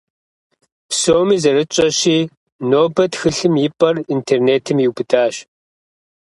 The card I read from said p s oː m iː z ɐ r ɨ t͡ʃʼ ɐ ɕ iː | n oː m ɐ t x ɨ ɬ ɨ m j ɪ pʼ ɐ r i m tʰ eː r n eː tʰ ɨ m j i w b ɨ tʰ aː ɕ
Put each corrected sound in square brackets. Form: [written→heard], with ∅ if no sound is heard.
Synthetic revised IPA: p s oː m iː z ɐ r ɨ t͡ʃʼ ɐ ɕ iː | n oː [m→b] ɐ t x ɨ ɬ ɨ m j ɪ pʼ ɐ r i [m→n] tʰ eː r n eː tʰ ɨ m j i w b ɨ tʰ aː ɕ